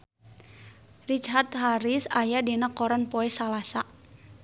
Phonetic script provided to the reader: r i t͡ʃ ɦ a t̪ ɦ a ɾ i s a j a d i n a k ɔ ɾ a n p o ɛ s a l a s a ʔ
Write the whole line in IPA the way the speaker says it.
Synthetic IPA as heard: r i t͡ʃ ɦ a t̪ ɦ a ɾ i s a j a d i n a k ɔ ɾ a n p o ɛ s a l a s a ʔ